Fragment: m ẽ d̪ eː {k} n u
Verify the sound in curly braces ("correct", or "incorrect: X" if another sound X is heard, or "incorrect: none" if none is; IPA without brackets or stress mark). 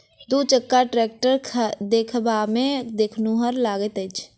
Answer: incorrect: kʰ